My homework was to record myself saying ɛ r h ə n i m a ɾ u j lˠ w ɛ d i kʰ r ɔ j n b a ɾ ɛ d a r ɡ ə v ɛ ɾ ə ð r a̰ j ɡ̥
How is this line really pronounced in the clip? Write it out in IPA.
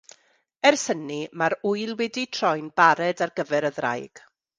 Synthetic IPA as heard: ɛ r s ə n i m a ɾ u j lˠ w ɛ d i tʰ r ɔ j n b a ɾ ɛ d a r ɡ ə v ɛ ɾ ə ð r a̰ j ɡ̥